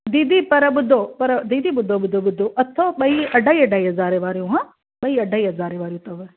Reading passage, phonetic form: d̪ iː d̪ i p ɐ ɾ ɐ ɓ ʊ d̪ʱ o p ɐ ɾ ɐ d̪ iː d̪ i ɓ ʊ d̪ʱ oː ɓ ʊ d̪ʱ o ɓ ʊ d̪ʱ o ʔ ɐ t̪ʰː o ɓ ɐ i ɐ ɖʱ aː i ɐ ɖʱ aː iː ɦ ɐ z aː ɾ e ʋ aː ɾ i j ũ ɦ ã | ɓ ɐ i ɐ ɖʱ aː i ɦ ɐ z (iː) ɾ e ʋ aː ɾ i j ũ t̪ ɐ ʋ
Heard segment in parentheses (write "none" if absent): aː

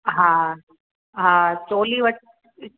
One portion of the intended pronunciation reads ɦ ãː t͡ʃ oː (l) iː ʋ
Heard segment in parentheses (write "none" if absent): l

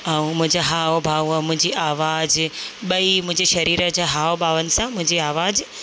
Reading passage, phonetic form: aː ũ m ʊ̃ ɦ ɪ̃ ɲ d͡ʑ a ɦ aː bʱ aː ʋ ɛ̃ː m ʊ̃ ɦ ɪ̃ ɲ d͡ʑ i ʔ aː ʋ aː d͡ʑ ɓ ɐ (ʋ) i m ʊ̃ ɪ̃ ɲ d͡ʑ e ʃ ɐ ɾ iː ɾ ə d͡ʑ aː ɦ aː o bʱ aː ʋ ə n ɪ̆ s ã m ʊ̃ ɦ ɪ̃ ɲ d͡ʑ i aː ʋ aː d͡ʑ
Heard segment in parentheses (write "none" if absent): none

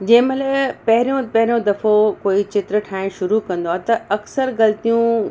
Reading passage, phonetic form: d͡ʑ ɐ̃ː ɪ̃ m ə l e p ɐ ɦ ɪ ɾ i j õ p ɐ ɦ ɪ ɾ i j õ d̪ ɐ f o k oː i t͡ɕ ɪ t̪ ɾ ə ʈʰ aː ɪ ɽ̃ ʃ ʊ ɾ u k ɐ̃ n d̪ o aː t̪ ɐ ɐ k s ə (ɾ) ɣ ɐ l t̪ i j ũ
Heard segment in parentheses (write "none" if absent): ɾ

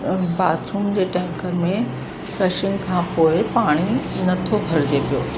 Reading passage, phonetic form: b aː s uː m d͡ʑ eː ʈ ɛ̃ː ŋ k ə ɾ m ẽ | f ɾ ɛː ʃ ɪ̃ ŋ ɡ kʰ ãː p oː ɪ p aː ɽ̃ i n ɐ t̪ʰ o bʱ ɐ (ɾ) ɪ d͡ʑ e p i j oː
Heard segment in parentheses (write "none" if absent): ɾ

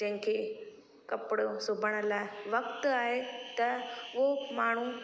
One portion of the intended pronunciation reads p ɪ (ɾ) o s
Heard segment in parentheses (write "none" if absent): ɽ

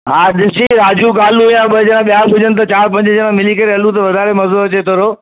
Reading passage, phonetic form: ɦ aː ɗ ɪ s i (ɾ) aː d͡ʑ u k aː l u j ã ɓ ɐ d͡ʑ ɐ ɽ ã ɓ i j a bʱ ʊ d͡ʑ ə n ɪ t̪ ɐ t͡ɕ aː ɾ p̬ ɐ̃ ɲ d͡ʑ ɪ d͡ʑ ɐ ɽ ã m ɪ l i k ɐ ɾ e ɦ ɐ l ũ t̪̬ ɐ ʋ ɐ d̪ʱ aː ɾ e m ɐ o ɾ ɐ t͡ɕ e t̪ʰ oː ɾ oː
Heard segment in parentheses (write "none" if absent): ɾ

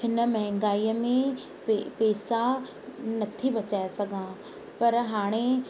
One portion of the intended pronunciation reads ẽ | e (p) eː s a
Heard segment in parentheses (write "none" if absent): p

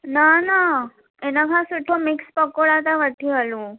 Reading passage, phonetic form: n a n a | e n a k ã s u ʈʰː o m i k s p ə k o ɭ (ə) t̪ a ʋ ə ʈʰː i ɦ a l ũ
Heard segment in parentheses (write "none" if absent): a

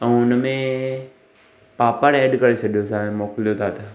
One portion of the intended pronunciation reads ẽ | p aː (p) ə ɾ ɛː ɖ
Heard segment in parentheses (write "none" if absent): p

